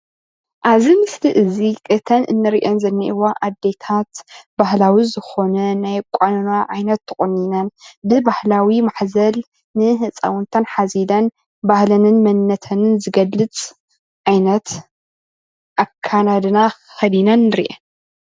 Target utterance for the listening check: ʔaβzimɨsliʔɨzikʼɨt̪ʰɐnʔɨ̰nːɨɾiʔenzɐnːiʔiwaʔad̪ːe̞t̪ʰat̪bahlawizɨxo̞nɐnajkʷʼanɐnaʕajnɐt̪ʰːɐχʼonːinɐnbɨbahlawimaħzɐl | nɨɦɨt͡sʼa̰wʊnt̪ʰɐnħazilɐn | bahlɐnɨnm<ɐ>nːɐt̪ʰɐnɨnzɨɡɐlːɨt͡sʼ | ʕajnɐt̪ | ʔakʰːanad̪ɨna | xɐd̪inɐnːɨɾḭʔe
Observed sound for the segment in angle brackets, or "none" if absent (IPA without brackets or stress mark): ɐ